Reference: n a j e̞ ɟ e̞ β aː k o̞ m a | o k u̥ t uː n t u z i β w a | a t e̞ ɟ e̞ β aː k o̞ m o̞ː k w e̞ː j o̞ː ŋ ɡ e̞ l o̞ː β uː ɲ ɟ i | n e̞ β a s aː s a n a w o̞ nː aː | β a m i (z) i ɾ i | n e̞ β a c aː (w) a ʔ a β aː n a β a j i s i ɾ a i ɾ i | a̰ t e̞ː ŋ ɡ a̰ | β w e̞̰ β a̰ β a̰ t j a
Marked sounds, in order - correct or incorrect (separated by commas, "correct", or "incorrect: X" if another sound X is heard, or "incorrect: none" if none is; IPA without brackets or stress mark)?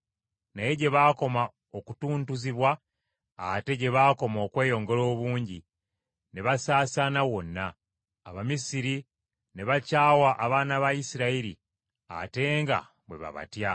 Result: incorrect: s, correct